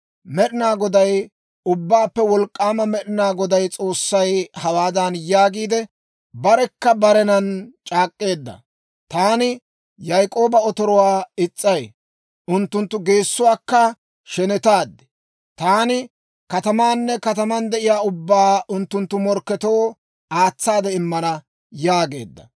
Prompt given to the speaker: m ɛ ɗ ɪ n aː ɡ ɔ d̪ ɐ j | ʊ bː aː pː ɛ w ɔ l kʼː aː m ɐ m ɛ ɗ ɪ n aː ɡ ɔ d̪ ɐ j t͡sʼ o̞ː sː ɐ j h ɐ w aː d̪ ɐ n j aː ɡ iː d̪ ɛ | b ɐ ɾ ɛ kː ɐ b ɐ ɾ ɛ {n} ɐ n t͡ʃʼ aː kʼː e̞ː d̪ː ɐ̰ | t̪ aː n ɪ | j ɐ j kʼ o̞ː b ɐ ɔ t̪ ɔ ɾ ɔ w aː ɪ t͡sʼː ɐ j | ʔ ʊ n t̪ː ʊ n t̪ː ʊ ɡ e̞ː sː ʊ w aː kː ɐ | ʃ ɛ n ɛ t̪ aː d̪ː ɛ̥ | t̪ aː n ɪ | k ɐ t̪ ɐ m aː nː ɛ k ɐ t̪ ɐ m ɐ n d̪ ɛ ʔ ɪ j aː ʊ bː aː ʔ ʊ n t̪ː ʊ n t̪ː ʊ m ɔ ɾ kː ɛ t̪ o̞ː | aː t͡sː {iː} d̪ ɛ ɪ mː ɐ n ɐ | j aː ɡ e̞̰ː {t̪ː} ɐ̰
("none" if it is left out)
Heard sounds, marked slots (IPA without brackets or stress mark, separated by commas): n, aː, d̪ː